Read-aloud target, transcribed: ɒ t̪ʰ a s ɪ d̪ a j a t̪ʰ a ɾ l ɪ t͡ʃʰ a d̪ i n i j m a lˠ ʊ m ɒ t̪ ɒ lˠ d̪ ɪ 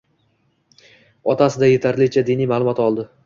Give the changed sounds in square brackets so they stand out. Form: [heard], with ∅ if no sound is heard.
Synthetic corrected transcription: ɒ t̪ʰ a s ɪ d̪ a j [e] t̪ʰ a ɾ l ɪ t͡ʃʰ a d̪ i n i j m a lˠ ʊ m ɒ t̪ ɒ lˠ d̪ ɪ